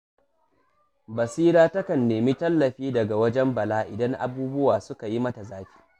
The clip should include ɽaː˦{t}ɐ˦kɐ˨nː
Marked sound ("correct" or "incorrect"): correct